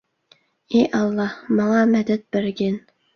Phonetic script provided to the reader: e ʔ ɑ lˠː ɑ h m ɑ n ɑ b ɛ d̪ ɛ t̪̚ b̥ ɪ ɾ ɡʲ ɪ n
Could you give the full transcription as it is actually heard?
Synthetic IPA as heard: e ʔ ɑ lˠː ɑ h m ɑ ŋ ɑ m ɛ d̪ ɛ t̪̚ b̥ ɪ ɾ ɡʲ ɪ n